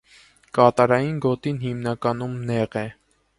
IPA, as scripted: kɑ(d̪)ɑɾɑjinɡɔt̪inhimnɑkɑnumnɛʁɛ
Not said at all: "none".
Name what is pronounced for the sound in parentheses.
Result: t̪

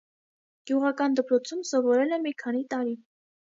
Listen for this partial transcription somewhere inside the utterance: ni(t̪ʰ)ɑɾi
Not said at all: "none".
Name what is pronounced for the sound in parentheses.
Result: t̪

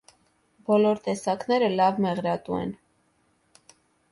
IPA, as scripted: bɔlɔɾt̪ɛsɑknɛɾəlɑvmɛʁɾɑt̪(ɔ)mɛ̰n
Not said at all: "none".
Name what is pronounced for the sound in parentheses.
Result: u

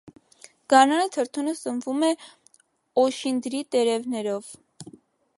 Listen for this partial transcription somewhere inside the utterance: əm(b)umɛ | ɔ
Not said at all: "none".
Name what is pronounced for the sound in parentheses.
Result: v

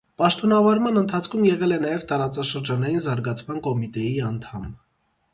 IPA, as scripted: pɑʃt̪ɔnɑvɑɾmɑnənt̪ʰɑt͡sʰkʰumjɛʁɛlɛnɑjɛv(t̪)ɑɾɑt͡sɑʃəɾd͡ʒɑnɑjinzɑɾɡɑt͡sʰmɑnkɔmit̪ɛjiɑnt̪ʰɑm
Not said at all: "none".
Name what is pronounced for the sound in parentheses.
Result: t̪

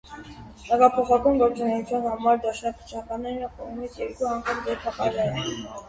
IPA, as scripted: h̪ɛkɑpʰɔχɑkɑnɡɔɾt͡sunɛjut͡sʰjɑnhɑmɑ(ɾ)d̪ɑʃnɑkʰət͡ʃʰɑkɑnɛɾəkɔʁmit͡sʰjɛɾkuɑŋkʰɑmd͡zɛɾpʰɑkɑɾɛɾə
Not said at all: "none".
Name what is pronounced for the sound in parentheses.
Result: ɾ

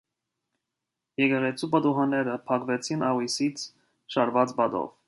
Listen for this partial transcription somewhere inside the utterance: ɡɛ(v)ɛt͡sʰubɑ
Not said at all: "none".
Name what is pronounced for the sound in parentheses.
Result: ʁ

